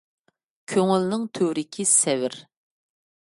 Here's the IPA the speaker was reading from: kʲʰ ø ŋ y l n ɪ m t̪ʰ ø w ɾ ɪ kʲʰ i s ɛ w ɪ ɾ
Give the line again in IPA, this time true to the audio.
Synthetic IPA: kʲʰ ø ŋ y l n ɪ ŋ t̪ʰ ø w ɾ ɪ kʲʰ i s ɛ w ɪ ɾ